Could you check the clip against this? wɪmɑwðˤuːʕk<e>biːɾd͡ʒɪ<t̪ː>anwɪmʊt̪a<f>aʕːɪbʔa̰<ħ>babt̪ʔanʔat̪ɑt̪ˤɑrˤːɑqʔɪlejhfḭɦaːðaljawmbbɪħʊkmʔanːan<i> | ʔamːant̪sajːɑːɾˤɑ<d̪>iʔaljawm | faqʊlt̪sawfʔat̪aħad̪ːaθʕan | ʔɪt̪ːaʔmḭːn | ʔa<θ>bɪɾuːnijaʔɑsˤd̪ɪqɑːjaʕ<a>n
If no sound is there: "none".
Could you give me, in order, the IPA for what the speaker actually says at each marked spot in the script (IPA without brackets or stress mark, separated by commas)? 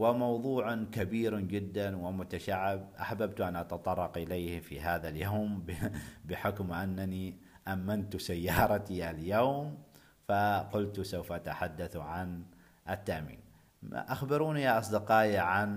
a, d̪ː, ʃ, ħ, i, t̪, x, a